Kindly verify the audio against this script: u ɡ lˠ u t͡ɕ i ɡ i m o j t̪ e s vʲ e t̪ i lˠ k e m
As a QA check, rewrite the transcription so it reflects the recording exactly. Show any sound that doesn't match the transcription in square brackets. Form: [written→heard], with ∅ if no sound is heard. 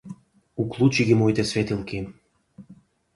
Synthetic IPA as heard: u [ɡ→k] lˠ u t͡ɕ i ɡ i m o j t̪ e s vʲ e t̪ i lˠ k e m